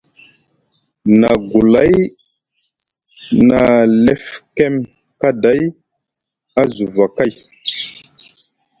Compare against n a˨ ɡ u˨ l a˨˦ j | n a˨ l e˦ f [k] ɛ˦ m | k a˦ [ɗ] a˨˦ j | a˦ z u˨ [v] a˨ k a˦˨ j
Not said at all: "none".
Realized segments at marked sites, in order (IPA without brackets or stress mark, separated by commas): k, d, v